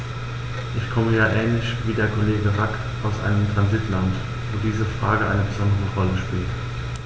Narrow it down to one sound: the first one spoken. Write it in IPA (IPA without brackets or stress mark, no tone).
ʔ